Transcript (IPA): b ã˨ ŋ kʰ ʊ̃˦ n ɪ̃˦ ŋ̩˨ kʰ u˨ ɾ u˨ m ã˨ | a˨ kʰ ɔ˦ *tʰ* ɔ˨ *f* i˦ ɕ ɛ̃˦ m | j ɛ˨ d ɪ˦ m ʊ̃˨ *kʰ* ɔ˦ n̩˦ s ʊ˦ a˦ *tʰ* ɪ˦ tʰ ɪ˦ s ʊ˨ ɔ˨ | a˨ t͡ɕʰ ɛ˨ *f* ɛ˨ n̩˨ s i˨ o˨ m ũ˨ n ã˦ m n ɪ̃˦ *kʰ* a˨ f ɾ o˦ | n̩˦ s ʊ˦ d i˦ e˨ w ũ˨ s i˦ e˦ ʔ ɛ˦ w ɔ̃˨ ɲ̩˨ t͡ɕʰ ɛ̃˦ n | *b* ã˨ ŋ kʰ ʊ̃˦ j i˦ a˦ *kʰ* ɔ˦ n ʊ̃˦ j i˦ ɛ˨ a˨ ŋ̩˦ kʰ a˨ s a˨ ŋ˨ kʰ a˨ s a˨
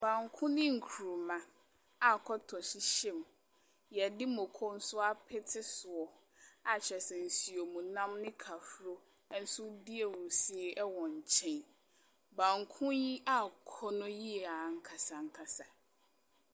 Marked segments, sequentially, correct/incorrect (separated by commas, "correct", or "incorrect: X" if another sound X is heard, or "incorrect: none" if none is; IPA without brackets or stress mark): correct, incorrect: ɕ, correct, incorrect: pʰ, incorrect: s, correct, correct, correct